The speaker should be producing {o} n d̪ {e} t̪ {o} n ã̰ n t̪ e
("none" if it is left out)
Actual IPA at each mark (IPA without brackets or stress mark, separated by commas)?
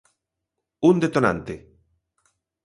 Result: u, e, o